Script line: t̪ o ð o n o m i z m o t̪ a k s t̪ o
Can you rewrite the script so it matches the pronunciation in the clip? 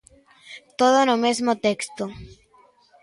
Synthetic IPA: t̪ o ð o n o m e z m o t̪ e k s t̪ o